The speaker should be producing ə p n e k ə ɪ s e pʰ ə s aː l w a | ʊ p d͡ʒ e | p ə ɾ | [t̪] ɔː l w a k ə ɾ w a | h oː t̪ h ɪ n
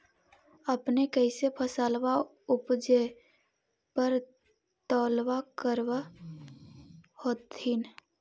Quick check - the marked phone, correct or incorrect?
correct